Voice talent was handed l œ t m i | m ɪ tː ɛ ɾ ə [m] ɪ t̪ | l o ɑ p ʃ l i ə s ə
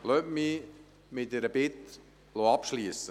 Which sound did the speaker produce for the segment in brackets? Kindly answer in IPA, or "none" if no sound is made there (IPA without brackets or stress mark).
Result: b